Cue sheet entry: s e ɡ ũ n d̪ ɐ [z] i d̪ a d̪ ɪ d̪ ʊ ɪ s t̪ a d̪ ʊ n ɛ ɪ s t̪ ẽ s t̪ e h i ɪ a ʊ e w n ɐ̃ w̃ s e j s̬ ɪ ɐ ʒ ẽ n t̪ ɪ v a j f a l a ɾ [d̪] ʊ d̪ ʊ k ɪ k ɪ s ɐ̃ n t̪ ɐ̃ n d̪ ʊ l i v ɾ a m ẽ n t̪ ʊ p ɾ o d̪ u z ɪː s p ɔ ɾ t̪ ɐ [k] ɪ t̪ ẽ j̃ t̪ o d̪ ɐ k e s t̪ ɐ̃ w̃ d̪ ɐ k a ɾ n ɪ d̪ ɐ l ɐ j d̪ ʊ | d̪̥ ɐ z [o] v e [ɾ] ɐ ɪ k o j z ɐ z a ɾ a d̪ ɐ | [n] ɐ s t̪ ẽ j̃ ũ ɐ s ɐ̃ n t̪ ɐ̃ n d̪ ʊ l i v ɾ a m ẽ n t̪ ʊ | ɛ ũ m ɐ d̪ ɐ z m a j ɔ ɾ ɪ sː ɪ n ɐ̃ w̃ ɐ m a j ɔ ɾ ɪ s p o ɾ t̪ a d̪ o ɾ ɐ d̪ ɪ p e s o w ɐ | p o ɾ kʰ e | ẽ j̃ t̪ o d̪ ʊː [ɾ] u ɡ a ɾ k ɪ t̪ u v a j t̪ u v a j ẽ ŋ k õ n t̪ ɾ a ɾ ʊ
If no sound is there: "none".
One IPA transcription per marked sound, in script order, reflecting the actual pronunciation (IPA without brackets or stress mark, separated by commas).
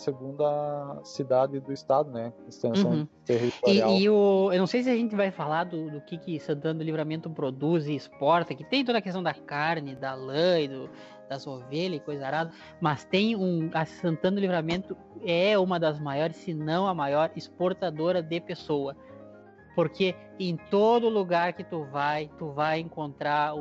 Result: s, d̪, k, o, ʎ, m, l